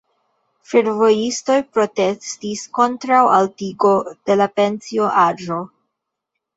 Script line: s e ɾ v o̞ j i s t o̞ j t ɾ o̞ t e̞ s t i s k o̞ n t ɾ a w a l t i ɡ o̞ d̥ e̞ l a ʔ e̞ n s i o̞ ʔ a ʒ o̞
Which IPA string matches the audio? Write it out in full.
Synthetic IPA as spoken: f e ɾ v o̞ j i s t o̞ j p ɾ o̞ t e̞ s t i s k o̞ n t ɾ a w a l t i ɡ o̞ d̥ e̞ l a p e̞ n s i o̞ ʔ a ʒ o̞